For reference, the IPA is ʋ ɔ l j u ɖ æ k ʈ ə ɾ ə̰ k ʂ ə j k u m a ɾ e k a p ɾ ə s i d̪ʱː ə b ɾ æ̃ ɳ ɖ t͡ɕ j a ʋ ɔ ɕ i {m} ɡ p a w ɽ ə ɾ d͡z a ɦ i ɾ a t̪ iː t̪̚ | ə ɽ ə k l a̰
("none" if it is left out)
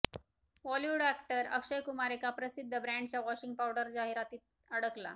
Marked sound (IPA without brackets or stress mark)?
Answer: ŋ